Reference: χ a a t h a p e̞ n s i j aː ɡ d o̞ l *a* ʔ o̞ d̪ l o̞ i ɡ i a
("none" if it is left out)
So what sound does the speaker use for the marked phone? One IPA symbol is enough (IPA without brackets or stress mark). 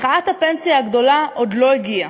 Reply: a